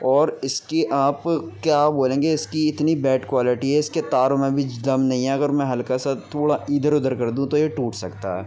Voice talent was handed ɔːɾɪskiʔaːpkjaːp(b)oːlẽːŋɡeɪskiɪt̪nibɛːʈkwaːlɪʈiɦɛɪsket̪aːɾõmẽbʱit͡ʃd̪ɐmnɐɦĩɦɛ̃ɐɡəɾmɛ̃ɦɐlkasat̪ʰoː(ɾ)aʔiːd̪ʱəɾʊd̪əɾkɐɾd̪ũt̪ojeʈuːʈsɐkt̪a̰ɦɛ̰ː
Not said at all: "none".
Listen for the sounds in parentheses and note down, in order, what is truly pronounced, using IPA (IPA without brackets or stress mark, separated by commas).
b, ɽ